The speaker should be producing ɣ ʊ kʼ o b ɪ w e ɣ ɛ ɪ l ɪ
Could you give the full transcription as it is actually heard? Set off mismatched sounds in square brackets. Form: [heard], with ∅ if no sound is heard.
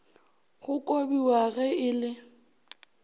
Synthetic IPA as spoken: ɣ ʊ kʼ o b [i] w [a] ɣ ɛ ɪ l ɪ